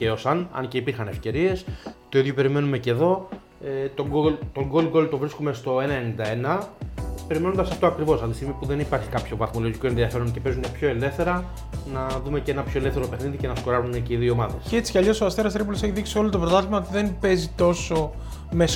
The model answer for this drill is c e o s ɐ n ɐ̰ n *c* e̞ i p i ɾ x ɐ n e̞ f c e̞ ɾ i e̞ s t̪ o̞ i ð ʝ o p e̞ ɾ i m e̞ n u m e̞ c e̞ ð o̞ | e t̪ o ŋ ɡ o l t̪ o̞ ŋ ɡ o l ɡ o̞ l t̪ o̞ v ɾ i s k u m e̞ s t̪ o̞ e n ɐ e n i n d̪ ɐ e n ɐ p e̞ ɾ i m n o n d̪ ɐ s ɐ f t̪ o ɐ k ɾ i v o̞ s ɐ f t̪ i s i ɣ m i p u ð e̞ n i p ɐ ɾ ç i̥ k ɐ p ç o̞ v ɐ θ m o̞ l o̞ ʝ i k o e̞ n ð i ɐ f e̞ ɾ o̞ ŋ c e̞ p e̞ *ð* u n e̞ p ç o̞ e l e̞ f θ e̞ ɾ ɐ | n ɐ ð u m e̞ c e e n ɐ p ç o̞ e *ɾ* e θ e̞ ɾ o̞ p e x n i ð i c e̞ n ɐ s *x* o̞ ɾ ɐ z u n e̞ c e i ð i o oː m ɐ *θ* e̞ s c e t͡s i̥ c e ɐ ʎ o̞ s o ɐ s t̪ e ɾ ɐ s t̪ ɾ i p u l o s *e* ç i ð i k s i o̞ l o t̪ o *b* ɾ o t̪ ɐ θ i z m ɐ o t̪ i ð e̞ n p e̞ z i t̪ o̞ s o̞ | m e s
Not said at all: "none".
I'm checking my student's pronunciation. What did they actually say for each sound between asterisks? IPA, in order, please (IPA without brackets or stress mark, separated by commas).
c, z, l, k, ð, e, p